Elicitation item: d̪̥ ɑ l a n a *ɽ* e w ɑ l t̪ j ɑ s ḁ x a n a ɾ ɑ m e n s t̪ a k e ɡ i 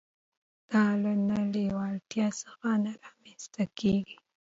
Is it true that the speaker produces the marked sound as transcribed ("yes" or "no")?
no